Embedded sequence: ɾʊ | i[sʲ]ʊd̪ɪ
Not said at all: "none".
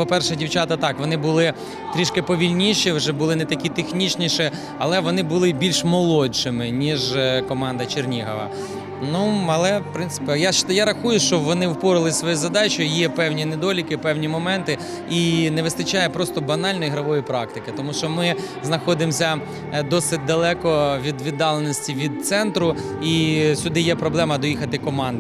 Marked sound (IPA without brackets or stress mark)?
sʲ